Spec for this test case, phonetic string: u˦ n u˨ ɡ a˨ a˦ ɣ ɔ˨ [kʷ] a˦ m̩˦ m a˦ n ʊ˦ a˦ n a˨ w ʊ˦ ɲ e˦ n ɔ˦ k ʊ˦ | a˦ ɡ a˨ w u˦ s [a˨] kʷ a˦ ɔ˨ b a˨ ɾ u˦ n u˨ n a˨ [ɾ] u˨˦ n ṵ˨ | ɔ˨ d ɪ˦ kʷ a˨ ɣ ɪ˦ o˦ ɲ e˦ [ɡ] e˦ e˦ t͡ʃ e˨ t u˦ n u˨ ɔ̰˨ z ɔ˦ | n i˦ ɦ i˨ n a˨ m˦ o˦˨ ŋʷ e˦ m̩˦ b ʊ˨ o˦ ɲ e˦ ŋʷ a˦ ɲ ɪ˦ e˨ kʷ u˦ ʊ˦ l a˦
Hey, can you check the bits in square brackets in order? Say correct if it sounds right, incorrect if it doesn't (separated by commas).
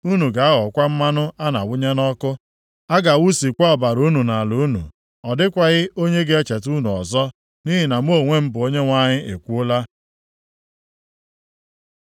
correct, incorrect, incorrect, correct